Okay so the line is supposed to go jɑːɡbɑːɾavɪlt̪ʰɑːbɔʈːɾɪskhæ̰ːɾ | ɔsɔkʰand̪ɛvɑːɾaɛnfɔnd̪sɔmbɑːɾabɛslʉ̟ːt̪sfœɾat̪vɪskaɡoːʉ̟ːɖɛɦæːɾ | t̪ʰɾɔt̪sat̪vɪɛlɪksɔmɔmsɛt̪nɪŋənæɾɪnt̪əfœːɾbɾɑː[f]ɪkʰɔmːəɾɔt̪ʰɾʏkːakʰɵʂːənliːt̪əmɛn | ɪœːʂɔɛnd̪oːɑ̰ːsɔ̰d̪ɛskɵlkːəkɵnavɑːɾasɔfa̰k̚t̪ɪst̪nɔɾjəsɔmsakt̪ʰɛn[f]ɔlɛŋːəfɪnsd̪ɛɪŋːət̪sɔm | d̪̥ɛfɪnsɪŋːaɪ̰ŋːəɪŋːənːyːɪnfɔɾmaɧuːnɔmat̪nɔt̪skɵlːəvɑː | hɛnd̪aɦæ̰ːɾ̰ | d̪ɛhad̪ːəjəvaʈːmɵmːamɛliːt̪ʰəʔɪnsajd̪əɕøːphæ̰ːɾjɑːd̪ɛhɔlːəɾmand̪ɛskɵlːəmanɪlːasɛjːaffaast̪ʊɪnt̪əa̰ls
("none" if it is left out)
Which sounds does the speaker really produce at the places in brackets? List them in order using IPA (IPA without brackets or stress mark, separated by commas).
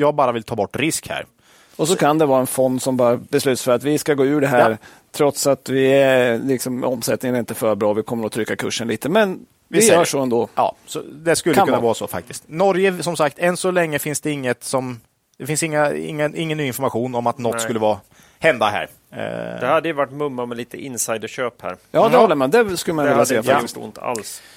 v, s